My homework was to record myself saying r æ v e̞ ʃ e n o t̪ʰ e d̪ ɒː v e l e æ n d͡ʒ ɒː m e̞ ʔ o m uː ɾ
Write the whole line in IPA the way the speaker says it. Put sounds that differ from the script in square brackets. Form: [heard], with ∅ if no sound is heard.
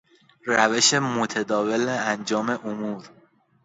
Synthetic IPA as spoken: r æ v e̞ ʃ e [m] o t̪ʰ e d̪ ɒː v e l e æ n d͡ʒ ɒː m e̞ ʔ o m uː ɾ